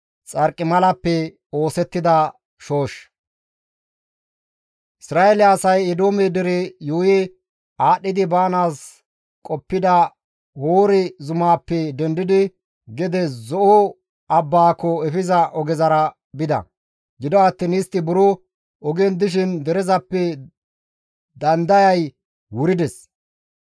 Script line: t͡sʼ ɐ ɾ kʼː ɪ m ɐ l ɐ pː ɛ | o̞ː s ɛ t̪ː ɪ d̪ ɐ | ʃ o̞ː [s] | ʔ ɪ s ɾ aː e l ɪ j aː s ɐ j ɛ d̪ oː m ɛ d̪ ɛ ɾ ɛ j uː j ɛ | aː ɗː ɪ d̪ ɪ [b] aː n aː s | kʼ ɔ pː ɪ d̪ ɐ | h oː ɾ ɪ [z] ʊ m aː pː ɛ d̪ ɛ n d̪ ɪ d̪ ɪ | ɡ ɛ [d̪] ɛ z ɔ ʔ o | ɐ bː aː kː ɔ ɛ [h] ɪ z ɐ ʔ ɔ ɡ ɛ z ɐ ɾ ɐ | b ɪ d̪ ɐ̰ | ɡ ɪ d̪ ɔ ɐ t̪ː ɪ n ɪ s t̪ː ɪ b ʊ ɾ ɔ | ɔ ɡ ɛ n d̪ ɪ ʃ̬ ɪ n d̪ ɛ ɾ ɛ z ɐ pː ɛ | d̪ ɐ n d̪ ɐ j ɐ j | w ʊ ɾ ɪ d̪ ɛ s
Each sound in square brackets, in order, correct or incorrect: incorrect, correct, correct, correct, incorrect

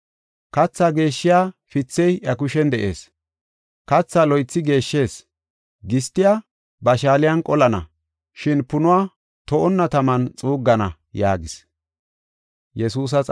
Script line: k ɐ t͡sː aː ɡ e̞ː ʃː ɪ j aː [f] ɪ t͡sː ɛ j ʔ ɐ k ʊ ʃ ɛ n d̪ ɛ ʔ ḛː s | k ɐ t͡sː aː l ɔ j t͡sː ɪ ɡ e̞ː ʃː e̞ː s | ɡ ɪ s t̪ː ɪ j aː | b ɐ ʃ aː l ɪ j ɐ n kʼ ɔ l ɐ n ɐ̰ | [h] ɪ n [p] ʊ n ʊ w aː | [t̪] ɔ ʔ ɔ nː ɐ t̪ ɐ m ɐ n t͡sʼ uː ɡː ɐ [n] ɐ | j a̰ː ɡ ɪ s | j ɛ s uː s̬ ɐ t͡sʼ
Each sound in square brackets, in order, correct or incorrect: correct, incorrect, correct, correct, correct

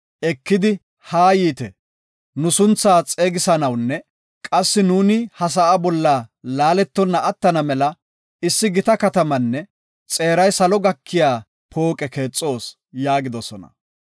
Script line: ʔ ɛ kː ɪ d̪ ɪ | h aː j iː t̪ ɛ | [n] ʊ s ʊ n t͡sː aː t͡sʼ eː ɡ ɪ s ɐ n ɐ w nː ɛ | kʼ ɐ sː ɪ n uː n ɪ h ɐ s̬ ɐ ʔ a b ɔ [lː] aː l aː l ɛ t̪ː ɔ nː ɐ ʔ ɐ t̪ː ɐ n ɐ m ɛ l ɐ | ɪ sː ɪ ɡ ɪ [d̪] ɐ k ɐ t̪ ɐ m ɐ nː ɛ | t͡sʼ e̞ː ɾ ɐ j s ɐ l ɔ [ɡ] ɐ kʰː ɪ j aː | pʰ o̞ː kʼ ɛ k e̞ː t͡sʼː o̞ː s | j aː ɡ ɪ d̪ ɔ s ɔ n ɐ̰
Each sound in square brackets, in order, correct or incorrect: correct, correct, incorrect, correct

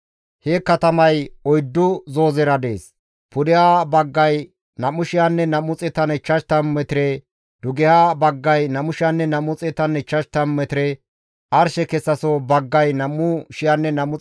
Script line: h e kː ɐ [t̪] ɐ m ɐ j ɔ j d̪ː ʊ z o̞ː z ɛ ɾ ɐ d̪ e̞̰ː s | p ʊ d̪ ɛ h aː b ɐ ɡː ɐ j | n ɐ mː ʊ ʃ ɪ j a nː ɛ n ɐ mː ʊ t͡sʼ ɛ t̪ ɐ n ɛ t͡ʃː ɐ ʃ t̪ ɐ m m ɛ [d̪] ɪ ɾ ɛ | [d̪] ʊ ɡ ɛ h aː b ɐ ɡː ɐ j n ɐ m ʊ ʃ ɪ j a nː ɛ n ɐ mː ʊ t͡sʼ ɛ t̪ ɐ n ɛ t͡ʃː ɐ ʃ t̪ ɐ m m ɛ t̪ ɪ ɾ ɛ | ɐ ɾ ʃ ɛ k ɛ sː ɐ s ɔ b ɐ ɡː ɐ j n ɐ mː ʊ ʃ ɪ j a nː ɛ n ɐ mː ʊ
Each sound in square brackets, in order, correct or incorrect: correct, incorrect, correct

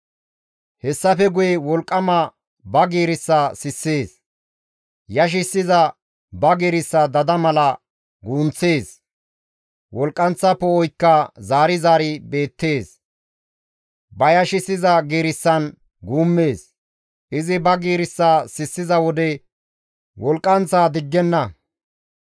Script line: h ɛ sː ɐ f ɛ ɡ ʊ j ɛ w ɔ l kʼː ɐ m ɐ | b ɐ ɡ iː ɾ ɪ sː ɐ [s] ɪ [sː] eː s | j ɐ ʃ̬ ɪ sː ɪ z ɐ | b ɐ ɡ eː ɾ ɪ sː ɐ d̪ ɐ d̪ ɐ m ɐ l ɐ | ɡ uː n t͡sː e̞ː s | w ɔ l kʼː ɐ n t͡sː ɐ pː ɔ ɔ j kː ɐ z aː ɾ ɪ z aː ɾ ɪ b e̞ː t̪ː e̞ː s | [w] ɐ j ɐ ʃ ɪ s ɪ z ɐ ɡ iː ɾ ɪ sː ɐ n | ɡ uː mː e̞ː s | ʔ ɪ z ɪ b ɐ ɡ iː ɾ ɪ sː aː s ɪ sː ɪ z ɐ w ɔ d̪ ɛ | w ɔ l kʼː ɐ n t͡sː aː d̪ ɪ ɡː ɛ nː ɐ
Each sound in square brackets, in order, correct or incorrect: correct, correct, incorrect

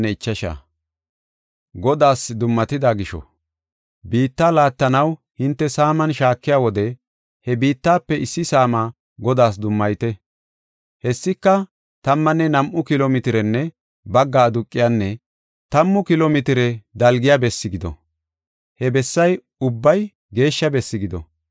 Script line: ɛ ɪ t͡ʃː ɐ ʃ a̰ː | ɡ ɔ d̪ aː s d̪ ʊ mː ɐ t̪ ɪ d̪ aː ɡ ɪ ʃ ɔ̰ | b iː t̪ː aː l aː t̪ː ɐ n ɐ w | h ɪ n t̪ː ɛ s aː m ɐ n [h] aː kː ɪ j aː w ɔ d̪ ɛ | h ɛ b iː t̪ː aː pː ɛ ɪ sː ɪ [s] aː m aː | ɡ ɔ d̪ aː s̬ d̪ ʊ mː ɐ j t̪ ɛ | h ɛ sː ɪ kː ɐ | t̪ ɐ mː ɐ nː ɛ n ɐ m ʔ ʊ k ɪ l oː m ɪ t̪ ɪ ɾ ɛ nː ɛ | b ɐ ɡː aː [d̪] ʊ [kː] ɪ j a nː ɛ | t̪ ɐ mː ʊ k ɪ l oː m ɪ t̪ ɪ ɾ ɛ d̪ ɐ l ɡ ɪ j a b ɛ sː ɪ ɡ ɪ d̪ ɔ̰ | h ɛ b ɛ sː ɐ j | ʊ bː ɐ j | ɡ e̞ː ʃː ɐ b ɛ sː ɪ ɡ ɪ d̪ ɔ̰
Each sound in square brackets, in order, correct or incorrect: incorrect, correct, correct, incorrect

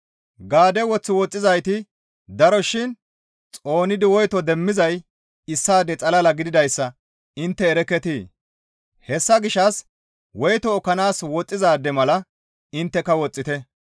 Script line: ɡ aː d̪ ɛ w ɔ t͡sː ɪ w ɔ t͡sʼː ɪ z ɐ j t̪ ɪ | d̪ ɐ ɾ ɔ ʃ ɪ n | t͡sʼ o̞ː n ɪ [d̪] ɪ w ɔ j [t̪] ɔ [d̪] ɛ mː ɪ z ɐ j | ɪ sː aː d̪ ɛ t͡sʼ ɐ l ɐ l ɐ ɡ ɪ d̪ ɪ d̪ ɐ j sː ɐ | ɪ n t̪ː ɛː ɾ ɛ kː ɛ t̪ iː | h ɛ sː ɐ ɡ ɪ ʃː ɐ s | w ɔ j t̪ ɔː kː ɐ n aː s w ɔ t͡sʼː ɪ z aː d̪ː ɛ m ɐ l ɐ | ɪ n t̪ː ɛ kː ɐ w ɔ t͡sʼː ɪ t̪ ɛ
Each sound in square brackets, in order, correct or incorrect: correct, correct, correct

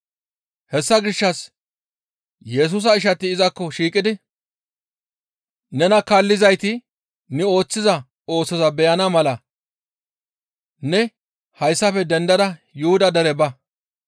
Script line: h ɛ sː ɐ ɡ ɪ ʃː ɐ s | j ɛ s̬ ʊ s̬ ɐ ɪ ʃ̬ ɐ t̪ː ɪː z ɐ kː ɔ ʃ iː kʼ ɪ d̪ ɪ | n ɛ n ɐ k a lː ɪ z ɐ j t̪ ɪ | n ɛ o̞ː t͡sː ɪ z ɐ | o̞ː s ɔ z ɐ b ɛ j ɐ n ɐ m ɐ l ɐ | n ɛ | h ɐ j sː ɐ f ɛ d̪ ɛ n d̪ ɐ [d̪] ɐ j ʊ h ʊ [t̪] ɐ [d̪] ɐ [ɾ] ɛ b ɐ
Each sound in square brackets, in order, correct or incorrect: correct, incorrect, correct, correct

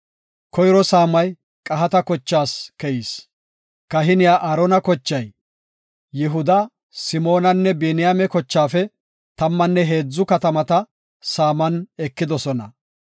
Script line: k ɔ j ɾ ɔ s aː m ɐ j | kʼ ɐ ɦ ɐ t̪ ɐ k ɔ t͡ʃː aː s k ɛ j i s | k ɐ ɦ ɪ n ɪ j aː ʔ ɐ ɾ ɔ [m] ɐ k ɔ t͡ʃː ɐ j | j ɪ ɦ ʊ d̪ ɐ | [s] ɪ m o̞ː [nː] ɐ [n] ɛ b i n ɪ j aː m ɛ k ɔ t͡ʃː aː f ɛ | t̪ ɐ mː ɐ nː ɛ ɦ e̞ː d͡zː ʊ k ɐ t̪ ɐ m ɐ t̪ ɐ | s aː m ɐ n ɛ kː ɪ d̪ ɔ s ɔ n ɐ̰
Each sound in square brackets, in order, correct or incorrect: incorrect, correct, incorrect, incorrect

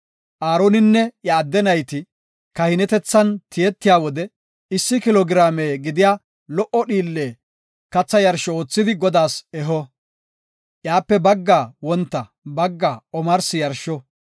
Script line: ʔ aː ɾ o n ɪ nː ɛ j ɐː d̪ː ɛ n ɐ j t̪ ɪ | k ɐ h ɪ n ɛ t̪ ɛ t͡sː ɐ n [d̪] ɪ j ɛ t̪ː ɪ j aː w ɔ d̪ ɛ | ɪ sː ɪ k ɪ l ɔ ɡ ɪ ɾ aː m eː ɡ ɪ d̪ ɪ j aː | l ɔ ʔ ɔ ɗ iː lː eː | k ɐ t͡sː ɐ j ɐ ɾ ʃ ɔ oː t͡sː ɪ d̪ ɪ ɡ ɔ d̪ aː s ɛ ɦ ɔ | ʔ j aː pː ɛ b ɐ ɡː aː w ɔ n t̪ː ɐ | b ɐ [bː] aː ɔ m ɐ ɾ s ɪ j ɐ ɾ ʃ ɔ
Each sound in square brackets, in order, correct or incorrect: incorrect, incorrect

